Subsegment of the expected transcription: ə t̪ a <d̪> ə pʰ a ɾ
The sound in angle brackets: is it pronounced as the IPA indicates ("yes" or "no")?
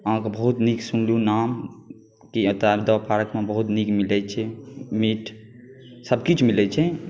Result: yes